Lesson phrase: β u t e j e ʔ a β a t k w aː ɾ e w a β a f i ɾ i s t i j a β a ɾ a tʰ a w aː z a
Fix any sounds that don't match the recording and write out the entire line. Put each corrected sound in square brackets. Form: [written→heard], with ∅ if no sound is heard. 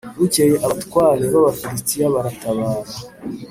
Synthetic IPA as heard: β u [t→c] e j e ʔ a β a t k w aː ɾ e [w→β] a β a f i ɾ i s t i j a β a ɾ a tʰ a [w→β] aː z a